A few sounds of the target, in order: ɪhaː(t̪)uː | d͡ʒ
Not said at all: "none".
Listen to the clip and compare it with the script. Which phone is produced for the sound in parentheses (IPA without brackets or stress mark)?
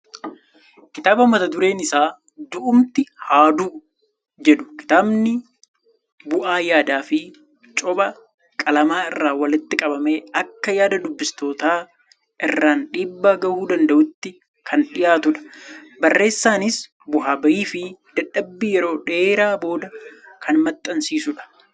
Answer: d̪